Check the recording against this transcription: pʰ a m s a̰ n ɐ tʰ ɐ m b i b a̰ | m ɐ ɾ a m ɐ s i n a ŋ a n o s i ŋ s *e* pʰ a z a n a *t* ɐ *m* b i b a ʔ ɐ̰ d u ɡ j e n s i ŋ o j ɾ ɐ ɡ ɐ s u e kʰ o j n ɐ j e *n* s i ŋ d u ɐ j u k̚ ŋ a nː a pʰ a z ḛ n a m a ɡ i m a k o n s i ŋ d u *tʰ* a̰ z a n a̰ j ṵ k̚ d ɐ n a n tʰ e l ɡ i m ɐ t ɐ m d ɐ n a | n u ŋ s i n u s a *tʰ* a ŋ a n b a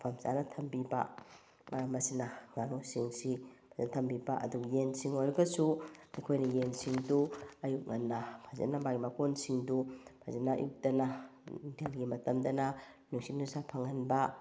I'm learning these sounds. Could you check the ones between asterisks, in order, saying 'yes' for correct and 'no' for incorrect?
no, no, yes, yes, no, no

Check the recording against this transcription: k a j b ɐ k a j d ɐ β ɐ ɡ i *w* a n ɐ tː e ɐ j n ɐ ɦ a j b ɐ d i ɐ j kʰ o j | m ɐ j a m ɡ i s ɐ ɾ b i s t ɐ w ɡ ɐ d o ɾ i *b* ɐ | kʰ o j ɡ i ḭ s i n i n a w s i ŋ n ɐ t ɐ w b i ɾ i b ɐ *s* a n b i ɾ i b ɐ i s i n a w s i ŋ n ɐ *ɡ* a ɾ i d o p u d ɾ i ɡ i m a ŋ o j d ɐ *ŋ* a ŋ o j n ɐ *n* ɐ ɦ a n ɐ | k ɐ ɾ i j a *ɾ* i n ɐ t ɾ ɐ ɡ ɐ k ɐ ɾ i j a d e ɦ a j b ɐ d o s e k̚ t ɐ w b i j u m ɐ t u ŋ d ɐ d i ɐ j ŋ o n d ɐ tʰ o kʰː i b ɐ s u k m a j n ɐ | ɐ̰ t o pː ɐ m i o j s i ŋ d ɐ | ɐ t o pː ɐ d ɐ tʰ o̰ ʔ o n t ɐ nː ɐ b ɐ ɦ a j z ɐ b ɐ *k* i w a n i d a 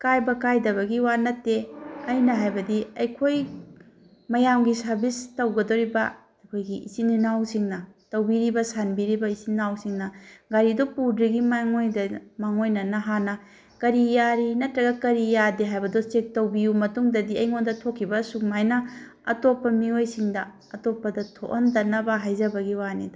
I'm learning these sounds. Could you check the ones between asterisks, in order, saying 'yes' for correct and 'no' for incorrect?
yes, yes, yes, yes, no, yes, yes, no

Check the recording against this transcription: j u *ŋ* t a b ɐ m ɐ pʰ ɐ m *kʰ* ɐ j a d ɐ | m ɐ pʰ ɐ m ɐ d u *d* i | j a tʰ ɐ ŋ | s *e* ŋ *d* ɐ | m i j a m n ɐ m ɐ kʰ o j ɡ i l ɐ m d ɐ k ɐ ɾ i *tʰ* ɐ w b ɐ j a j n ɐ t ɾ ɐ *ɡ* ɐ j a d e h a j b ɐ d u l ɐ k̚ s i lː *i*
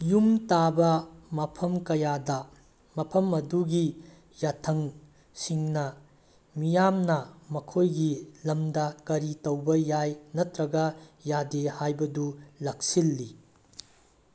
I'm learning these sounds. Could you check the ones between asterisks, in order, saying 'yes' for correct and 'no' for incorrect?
no, no, no, no, no, no, yes, yes

